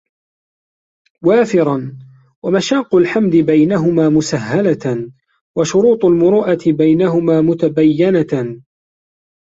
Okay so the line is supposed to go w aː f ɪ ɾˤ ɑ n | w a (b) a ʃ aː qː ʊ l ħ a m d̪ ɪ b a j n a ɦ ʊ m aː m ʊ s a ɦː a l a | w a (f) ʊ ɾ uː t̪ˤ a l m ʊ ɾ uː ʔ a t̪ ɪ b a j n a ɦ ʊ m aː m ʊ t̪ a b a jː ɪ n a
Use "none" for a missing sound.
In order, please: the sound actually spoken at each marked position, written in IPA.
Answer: m, ʃ

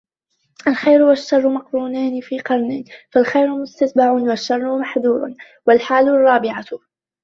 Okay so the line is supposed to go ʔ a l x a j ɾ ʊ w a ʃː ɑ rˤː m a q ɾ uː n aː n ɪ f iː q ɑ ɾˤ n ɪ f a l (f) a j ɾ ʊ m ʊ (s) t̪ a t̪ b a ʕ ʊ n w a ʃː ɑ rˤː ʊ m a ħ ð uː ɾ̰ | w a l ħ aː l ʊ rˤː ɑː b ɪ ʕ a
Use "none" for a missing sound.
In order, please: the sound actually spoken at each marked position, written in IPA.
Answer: x, s

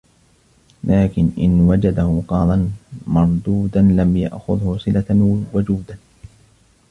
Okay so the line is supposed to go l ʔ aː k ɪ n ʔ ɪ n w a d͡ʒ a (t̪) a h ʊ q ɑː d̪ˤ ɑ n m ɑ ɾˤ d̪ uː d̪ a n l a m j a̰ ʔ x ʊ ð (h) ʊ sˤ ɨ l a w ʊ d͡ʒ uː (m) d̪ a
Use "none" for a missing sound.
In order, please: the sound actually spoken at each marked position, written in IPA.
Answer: d̪, h, none

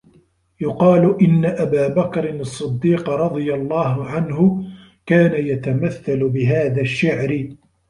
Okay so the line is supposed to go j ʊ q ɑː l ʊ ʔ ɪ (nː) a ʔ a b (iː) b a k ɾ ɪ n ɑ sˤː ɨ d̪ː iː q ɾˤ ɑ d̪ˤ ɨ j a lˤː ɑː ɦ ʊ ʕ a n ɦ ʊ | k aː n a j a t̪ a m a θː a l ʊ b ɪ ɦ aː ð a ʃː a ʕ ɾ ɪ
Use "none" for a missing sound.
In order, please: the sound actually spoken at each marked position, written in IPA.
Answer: nː, aː

